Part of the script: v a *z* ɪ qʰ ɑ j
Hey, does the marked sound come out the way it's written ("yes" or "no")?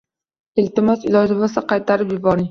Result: no